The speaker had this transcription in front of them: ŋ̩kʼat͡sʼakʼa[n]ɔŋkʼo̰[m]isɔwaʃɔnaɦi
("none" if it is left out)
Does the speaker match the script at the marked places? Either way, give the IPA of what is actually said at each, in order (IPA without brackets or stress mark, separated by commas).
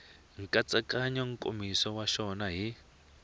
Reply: ɲ, m